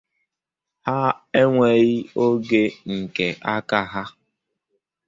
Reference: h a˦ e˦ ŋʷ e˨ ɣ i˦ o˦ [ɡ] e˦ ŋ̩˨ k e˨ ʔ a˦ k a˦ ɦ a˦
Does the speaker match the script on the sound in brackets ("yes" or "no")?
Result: yes